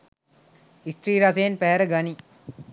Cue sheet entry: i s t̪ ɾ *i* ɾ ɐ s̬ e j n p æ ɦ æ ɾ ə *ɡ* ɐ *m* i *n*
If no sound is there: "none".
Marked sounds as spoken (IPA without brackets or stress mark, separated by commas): iː, ɡ, n, none